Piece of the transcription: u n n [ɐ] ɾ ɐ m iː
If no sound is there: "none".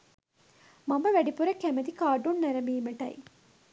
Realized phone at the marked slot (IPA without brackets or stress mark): ɐ